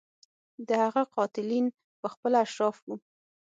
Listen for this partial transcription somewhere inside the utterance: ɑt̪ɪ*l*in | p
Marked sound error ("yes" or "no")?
no